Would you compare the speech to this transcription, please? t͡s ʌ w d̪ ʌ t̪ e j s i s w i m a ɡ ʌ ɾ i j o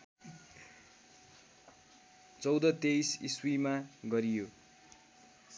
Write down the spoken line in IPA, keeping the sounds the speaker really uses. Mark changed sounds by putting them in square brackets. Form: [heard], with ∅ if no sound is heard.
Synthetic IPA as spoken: t͡s ʌ w d̪ ʌ t̪ e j s i s w i m a ɡ ʌ ɾ i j o